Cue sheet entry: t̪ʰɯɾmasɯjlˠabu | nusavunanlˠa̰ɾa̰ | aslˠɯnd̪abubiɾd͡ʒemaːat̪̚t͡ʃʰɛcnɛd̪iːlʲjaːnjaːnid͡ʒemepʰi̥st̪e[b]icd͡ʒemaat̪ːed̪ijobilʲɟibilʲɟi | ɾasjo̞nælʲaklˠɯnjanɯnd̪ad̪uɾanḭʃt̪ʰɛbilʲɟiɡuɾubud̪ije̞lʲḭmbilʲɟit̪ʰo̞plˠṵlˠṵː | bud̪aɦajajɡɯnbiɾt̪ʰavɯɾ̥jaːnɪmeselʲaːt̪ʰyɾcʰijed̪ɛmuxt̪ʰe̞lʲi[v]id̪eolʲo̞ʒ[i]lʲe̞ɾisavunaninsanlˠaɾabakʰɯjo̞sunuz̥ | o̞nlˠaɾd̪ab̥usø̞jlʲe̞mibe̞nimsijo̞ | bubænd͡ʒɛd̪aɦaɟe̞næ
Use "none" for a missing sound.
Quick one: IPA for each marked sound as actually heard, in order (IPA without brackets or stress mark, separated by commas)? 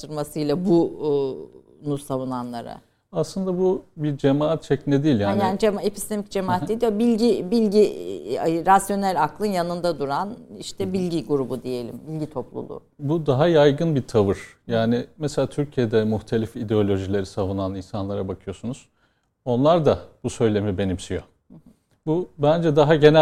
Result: m, f, i